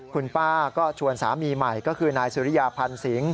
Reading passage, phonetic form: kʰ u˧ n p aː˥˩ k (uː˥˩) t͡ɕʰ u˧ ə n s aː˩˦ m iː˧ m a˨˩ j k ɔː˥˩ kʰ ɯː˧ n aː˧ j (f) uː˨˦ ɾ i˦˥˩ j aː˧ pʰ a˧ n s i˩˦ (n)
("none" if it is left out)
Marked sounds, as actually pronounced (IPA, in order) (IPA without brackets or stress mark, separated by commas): ɔː˥˩, s, ŋ